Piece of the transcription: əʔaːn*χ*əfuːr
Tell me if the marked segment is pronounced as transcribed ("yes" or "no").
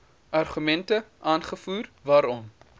yes